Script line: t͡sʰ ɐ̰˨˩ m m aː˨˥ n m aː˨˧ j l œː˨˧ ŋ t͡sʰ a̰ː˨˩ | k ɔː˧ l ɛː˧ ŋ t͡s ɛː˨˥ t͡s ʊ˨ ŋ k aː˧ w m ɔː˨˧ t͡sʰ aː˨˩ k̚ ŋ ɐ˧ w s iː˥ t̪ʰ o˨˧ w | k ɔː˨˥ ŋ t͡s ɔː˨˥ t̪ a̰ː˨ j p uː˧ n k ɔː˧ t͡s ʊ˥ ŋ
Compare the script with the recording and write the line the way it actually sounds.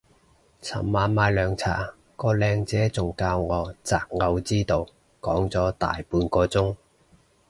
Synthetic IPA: t͡sʰ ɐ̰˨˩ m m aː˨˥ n m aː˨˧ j l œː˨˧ ŋ t͡sʰ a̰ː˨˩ | k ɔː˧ l ɛː˧ ŋ t͡s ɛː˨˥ t͡s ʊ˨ ŋ k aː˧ w ŋ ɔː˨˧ t͡s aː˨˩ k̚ ŋ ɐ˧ w t͡s iː˥ t̪ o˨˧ w | k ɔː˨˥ ŋ t͡s ɔː˨˥ t̪ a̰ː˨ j p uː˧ n k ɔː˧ t͡s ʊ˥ ŋ